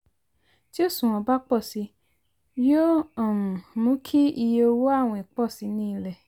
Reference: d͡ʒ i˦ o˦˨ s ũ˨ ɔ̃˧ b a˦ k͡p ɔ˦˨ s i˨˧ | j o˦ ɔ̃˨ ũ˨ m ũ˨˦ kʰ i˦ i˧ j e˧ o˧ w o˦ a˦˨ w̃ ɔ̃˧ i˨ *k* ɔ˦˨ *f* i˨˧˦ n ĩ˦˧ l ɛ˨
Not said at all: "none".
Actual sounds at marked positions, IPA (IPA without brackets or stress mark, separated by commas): k͡p, s